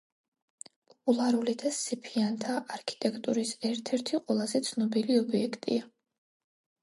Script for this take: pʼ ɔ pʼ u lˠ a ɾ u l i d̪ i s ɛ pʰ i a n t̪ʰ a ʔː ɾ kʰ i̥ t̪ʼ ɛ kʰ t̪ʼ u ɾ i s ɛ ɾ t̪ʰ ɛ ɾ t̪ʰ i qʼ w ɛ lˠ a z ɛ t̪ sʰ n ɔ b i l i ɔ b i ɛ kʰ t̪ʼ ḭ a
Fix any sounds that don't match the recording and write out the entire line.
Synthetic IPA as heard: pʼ ɔ pʼ u lˠ a ɾ u l i d̪ a s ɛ pʰ i a n t̪ʰ a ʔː ɾ kʰ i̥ t̪ʼ ɛ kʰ t̪ʼ u ɾ i s ɛ ɾ t̪ʰ ɛ ɾ t̪ʰ i qʼ w ɛ lˠ a z ɛ t̪ sʰ n ɔ b i l i ɔ b i ɛ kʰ t̪ʼ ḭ a